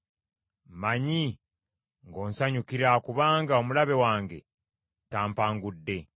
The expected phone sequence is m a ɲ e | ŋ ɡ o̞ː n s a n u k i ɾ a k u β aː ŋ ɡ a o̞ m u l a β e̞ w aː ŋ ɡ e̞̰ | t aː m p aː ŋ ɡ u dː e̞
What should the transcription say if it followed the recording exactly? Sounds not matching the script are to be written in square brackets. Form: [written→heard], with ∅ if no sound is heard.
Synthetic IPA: m a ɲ [e→i] | ŋ ɡ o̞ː n s a [n→ɲ] u k i ɾ a k u β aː ŋ ɡ a o̞ m u l a β e̞ w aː ŋ ɡ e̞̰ | t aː m p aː ŋ ɡ u dː e̞